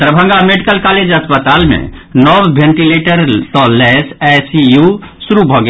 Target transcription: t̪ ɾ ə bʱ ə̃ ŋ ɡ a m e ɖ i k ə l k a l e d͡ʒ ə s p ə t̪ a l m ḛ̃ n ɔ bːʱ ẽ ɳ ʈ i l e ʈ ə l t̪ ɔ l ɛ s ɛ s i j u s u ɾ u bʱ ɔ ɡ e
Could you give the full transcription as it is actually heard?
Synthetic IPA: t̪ ɾ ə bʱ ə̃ ŋ ɡ a m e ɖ i k ə l k a l e d͡ʒ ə s p ə t̪ a l m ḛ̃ n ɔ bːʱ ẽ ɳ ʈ i l e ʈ ə ɾ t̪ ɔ l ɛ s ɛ s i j u s u ɾ u bʱ ɔ ɡ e